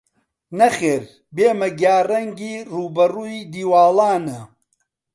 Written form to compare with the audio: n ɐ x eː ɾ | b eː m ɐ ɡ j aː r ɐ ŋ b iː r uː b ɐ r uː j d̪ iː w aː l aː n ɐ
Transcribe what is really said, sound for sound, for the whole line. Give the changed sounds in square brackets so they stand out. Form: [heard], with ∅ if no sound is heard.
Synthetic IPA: n ɐ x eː ɾ | b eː m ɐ ɡ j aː r ɐ ŋ [ɡ] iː r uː b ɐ r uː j d̪ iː w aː l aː n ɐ